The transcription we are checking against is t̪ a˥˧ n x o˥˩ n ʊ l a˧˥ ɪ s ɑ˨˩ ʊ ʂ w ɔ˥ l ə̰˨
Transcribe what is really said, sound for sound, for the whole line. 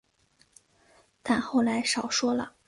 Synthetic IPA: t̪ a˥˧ n x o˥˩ ʊ l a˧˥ ɪ ʂ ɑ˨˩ ʊ ʂ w ɔ˥ l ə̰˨